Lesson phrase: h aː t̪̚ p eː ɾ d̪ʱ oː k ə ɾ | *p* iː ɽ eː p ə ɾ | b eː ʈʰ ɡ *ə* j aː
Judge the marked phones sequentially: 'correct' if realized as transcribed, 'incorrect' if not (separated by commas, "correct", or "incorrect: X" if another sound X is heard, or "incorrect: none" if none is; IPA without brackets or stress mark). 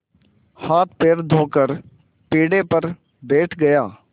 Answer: correct, correct